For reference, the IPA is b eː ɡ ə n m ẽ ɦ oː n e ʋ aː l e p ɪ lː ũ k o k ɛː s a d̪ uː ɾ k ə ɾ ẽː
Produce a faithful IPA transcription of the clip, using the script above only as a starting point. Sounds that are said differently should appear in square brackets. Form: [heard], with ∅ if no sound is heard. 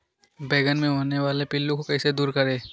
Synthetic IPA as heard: b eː ɡ ə n m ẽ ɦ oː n e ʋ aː l e p ɪ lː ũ k o k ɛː s [e] d̪ uː ɾ k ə ɾ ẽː